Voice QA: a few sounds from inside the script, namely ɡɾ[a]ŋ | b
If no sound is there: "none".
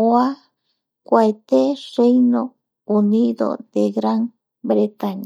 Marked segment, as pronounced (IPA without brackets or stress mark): a